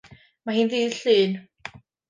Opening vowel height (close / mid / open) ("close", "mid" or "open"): open